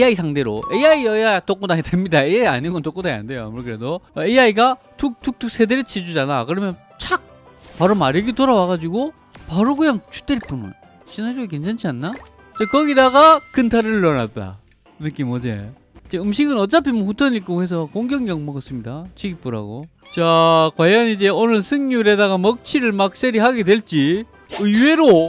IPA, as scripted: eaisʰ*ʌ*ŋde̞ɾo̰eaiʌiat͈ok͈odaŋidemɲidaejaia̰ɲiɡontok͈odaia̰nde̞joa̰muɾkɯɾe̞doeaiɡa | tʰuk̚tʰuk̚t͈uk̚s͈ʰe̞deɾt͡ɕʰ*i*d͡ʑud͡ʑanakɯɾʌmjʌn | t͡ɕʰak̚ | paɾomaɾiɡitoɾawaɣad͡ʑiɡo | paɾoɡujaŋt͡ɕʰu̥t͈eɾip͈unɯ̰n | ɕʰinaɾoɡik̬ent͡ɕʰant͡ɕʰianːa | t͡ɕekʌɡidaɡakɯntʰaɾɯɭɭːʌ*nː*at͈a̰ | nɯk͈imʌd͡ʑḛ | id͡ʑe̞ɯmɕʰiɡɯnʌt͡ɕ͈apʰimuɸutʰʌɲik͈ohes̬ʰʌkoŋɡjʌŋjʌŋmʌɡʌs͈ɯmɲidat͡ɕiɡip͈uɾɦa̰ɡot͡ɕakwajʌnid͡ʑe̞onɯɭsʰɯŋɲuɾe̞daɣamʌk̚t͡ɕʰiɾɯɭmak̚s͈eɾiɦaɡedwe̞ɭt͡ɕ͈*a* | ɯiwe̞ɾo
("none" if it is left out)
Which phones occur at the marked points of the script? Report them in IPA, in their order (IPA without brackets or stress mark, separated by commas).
a, i, n, i